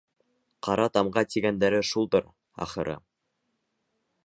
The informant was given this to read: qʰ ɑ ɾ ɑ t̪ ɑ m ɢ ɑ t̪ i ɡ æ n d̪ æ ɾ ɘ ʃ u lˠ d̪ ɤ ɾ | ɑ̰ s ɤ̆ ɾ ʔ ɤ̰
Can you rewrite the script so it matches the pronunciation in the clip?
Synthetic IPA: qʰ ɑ ɾ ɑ t̪ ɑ m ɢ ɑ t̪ i ɡ æ n d̪ æ ɾ ɘ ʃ u lˠ d̪ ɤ ɾ | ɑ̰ χ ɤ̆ ɾ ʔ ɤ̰